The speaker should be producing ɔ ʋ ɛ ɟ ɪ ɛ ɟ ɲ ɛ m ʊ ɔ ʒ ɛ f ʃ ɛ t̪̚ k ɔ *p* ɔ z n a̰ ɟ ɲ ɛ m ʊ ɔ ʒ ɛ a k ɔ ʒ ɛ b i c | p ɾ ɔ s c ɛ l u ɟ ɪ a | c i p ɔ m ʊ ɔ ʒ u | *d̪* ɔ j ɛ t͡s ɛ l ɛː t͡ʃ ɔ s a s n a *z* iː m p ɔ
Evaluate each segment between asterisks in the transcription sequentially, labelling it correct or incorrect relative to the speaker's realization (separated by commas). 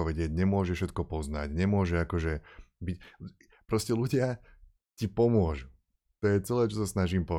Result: correct, incorrect, incorrect